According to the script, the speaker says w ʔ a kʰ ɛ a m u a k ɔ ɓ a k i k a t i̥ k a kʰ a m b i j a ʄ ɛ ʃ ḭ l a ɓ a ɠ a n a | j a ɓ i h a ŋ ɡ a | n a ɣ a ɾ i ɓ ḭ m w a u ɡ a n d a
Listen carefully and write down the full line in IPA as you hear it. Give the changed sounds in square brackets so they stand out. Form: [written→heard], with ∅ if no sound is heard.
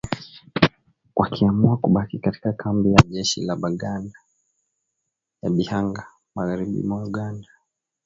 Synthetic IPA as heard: w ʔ a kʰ [ɛ→i] a m u a k [ɔ→u] ɓ a k i k a t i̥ k a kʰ a m b i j a ʄ ɛ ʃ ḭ l a ɓ a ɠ a n a | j a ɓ i h a ŋ ɡ a | [n→m] a ɣ a ɾ i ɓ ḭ m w a u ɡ a n d a